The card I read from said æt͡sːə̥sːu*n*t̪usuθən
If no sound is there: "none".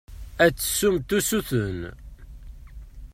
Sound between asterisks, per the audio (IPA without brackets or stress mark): m